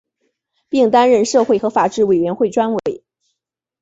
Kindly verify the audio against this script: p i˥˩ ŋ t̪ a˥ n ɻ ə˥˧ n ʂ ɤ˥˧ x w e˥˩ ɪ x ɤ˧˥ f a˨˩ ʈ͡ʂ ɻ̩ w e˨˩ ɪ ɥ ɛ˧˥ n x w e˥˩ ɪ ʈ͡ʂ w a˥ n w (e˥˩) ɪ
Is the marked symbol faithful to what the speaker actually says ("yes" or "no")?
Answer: no